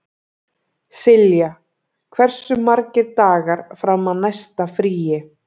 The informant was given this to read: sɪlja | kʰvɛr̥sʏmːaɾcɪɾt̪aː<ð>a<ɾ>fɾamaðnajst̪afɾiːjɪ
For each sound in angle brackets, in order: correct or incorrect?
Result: incorrect: ɣ, correct

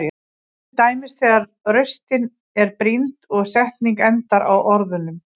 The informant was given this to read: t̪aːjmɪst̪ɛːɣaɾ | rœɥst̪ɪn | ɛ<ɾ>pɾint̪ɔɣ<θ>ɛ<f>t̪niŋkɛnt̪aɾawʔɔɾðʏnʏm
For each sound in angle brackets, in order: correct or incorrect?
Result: correct, incorrect: s, incorrect: h

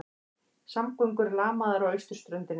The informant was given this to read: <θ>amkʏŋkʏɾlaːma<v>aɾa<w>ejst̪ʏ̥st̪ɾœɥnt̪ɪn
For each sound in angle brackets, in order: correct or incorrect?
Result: incorrect: s, incorrect: ð, correct

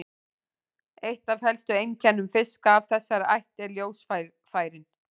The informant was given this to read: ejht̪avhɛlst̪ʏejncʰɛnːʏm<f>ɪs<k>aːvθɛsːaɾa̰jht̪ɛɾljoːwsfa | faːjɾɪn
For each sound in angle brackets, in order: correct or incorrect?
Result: correct, correct

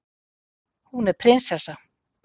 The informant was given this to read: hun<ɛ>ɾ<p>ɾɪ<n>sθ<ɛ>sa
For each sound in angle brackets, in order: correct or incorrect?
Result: correct, incorrect: pʰ, correct, correct

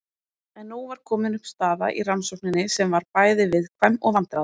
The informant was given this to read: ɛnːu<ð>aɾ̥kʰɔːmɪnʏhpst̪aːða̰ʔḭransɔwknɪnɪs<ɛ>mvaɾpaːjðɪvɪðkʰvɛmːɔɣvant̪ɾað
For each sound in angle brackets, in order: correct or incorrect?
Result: incorrect: v, correct

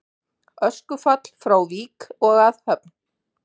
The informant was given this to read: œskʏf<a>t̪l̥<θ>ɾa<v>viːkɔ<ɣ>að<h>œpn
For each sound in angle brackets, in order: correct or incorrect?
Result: correct, incorrect: f, incorrect: w, correct, correct

